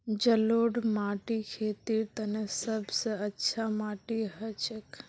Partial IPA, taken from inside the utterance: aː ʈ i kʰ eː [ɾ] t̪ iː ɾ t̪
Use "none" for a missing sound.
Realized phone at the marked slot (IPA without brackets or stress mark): none